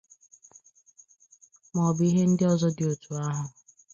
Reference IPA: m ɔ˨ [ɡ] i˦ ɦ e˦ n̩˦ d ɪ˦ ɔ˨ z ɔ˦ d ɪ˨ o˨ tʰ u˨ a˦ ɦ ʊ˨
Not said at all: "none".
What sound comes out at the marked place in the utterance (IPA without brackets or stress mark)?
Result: b